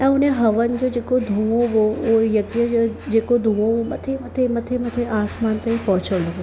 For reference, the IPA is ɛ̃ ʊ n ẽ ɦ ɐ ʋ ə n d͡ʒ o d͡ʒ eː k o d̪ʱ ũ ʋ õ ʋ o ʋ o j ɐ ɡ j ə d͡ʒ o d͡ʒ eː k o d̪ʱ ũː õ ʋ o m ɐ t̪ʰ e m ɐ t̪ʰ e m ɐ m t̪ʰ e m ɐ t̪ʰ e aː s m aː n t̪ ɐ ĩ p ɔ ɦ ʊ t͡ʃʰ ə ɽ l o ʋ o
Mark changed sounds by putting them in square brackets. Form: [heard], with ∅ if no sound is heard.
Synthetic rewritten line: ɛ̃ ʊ n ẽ ɦ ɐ ʋ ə n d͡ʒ o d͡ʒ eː k o d̪ʱ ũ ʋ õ ʋ o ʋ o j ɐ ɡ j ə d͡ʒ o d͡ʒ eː k o d̪ʱ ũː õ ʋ o m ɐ t̪ʰ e m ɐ t̪ʰ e m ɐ [∅] t̪ʰ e m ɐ t̪ʰ e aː s m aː n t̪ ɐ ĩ p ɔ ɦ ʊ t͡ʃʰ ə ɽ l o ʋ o